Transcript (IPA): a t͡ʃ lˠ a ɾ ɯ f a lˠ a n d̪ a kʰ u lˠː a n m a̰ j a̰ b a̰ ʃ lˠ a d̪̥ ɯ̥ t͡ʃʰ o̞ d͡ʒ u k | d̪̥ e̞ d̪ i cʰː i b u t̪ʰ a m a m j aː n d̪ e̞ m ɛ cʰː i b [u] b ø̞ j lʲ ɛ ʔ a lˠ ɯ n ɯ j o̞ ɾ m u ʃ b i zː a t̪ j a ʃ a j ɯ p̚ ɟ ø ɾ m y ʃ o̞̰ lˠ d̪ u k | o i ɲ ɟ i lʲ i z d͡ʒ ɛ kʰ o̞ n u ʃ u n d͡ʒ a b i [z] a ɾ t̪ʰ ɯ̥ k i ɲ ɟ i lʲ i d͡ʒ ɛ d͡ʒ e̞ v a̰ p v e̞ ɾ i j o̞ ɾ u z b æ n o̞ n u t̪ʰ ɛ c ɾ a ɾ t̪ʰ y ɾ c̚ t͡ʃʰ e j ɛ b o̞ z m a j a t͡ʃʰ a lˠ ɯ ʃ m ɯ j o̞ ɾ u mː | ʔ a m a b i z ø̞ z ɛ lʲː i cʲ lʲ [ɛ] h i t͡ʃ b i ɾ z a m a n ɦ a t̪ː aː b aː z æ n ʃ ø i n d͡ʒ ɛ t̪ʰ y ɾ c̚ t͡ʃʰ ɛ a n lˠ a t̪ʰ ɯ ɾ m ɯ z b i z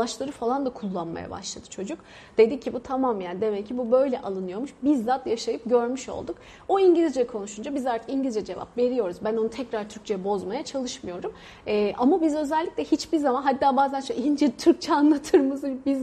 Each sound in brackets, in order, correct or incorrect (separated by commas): correct, correct, correct